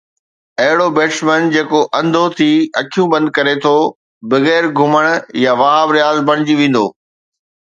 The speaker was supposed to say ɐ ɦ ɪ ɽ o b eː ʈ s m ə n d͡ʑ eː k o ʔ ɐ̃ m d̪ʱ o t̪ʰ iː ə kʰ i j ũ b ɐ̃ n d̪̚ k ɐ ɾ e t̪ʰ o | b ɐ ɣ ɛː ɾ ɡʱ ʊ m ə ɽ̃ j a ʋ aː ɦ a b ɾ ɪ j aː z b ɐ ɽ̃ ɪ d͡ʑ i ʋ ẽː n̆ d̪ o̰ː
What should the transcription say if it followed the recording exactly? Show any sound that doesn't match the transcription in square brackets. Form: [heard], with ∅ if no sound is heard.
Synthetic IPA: ɐ ɦ ɪ ɽ o b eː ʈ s m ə n d͡ʑ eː k o ʔ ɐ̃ [n] d̪ʱ o t̪ʰ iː [ɐ] kʰ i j ũ b ɐ̃ n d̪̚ k ɐ ɾ e t̪ʰ o | b ɐ ɣ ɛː ɾ ɡʱ ʊ m ə ɽ̃ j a ʋ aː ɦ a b ɾ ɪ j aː z b ɐ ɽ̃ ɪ d͡ʑ i ʋ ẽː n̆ d̪ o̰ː